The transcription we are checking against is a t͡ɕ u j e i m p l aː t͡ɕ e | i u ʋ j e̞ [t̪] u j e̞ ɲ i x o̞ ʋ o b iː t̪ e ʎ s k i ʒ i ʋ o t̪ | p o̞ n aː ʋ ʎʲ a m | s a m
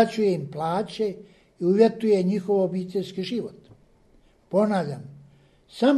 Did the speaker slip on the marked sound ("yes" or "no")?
no